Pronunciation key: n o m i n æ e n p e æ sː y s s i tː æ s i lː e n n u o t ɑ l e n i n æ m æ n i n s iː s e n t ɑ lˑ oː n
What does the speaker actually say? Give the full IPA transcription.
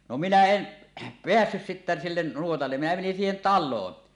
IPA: n o m i n æ e n p e æ sː y s s i tː æ s i lː e n n u o t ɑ lː e m i n æ m e n i n s iː h e n t ɑ lˑ oː n